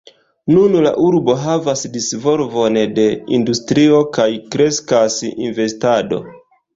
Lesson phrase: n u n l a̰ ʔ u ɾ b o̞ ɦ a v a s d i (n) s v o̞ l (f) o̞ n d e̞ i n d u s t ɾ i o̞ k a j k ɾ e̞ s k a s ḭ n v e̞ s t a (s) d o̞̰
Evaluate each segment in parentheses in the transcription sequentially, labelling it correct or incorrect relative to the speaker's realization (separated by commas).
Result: incorrect, incorrect, incorrect